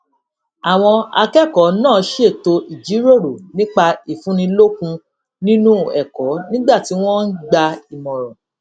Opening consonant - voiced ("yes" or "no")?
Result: yes